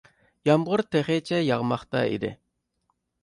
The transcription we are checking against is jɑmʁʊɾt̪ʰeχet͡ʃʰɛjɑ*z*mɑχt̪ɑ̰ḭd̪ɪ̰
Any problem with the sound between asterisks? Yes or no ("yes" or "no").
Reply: yes